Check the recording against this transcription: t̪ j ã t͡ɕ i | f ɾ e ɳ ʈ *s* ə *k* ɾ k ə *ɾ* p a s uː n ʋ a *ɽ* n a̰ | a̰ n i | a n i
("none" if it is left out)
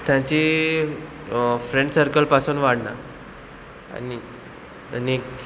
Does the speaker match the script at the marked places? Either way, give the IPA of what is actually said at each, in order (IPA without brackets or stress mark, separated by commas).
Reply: s, none, l, ɽ